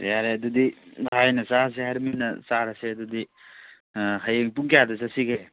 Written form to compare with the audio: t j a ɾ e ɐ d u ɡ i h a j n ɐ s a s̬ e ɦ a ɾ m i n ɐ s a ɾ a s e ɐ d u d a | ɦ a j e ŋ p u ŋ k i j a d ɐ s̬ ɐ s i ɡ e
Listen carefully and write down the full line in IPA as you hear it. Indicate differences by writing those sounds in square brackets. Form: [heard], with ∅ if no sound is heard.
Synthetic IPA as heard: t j a ɾ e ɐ d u [d] i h a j n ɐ s a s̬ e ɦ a ɾ m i n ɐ s a ɾ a s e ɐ d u d [i] | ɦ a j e ŋ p u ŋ k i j a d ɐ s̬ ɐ s i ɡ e